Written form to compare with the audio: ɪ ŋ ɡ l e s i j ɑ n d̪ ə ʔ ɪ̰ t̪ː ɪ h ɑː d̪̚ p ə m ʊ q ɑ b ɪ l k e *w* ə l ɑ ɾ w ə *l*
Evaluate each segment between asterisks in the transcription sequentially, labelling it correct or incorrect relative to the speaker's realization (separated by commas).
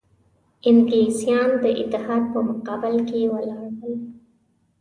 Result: correct, correct